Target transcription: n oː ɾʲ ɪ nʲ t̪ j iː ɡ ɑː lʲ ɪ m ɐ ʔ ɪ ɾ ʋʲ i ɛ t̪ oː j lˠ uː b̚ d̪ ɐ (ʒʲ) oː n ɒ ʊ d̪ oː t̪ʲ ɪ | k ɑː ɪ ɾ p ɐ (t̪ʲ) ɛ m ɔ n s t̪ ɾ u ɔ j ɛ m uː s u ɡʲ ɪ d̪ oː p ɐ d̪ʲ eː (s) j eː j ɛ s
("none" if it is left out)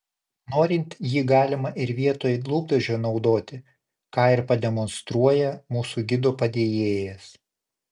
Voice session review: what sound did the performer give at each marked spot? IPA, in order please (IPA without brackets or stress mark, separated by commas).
ʒʲ, d̪ʲ, none